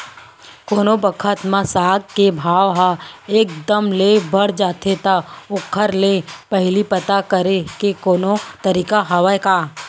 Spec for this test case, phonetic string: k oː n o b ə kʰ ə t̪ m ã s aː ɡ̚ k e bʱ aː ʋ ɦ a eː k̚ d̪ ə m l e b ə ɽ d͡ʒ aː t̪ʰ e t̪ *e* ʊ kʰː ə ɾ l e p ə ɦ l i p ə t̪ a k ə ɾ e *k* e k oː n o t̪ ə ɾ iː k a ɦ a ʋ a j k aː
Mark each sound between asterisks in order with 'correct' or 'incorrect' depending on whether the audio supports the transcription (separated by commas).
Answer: incorrect, correct